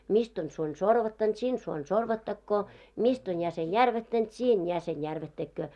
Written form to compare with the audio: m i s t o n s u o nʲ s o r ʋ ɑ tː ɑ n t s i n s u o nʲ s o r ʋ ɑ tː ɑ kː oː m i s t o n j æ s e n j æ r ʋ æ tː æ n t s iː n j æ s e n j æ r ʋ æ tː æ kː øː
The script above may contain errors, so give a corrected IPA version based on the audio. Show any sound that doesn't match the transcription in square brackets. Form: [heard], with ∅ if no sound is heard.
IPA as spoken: m i s t o n s u o nʲ s o r ʋ ɑ tː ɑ n t s i n s u o nʲ s o r ʋ ɑ tː ɑ kː oː m i s t o n j æ s e n j æ r ʋ æ tː æ n t s iː n j æ s e n j æ r ʋ æ tː æ kː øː